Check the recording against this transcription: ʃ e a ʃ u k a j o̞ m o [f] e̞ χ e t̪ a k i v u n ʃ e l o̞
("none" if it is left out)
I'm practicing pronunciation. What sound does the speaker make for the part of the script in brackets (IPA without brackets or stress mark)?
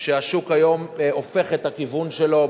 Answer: f